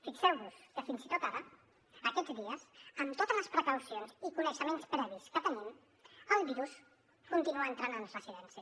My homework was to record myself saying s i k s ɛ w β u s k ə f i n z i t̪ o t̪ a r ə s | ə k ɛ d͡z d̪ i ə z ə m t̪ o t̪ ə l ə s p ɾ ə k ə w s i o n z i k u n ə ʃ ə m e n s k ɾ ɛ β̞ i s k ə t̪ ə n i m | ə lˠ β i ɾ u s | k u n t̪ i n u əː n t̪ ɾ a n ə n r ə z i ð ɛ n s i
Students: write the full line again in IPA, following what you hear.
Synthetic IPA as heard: f i k s ɛ w β u s k ə f i n z i t̪ o t̪ a ɾ ə | ə k ɛ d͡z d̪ i ə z ə m t̪ o t̪ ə l ə s p ɾ ə k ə w s i o n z i k u n ə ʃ ə m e n s p ɾ ɛ β̞ i s k ə t̪ ə n i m | ə lˠ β i ɾ u s | k u n t̪ i n u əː n t̪ ɾ a n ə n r ə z i ð ɛ n s i